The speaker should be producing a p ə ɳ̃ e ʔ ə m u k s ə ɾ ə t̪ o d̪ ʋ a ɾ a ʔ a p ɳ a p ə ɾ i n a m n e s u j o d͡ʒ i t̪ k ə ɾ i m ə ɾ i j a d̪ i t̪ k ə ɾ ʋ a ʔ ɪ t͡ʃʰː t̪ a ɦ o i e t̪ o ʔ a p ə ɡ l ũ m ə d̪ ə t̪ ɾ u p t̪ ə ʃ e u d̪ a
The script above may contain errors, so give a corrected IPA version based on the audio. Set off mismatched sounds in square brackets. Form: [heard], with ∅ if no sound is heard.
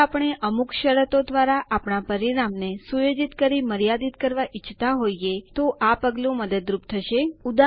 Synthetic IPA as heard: a p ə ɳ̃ e ʔ ə m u k [ʃ] ə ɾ ə t̪ o d̪ ʋ a ɾ a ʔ a p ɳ a p ə ɾ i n a m n e s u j o d͡ʒ i t̪ k ə ɾ i m ə ɾ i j a d̪ i t̪ k ə ɾ ʋ a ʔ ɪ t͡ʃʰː t̪ a ɦ o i e t̪ o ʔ a p ə ɡ l ũ m ə d̪ ə [d̪] ɾ u p [t̪ʰ] ə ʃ e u d̪ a

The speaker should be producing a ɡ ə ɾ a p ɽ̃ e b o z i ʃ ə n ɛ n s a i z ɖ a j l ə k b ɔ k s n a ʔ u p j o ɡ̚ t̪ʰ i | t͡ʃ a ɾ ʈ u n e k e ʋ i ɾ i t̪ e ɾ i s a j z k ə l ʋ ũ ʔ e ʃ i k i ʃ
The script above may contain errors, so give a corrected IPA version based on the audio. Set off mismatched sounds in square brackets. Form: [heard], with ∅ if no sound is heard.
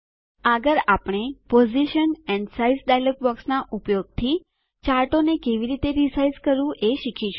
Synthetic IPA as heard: a ɡ ə ɾ a p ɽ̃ e [p] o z i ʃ ə n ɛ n s a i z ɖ a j l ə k b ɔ k s n a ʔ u p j o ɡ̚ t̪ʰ i | t͡ʃ a ɾ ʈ [o] n e k e ʋ i ɾ i t̪ e ɾ i s a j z k ə [ɾ] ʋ ũ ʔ e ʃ i [kʰ] i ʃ

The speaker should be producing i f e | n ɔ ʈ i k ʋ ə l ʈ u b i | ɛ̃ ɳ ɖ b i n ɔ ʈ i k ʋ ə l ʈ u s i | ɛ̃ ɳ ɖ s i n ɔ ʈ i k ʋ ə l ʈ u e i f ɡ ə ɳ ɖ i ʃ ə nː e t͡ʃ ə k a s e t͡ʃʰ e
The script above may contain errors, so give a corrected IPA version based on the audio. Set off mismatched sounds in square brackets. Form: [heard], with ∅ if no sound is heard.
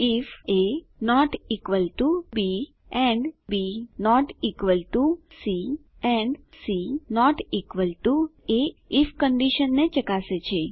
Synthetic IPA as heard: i f e | n ɔ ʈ i k ʋ ə l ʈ u b i | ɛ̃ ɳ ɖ b i n ɔ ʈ i k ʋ ə l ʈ u s i | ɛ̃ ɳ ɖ s i n ɔ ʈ i k ʋ ə l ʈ u e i f [k] ə ɳ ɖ i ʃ ə nː e t͡ʃ ə k a s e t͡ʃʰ e

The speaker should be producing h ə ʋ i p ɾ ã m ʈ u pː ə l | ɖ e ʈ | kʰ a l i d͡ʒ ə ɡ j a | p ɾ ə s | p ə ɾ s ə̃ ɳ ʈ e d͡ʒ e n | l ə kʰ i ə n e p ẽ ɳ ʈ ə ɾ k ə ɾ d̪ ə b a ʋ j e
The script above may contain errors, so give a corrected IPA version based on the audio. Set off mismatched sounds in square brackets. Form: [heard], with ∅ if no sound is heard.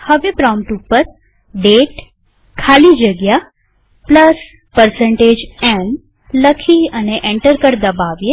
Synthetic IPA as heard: h ə ʋ [e] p ɾ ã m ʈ u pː ə [ɾ] | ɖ e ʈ | kʰ a l i d͡ʒ ə ɡ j a | p [l] ə s | p ə ɾ s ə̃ ɳ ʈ e d͡ʒ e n | l ə kʰ i ə n e [ʔ] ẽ ɳ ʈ ə ɾ k ə ɾ d̪ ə b a ʋ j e

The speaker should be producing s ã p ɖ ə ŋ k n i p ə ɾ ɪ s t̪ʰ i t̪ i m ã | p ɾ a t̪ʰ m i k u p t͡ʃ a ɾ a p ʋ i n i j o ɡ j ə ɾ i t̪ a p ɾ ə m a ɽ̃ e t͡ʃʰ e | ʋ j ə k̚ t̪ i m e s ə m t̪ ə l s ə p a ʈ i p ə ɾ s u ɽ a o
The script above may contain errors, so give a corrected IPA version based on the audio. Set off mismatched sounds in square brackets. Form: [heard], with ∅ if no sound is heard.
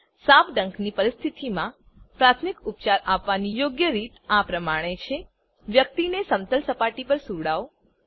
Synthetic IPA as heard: s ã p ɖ ə ŋ k n i p ə ɾ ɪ s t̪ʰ i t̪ i m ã | p ɾ a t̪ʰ m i k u p t͡ʃ a ɾ a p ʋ [a] n i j o ɡ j ə ɾ i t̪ a p ɾ ə m a ɽ̃ e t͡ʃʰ e | ʋ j ə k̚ t̪ i [n] e s ə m t̪ ə l s ə p a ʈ i p ə ɾ s u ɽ a o

